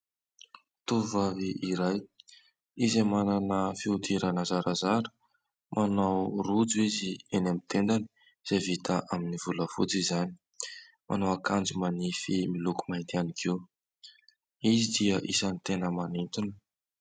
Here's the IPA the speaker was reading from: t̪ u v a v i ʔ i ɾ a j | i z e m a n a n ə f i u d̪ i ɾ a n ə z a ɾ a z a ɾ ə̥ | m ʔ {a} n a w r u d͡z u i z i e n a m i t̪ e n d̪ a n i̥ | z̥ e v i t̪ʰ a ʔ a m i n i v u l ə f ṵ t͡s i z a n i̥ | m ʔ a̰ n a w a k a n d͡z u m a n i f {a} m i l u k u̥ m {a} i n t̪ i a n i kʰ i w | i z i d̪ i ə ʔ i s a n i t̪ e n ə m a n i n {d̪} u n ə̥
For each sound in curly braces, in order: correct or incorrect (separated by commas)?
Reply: correct, incorrect, correct, incorrect